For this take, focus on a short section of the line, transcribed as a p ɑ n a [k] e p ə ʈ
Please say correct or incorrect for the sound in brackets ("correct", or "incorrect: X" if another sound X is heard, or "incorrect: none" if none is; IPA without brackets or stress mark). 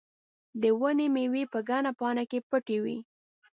correct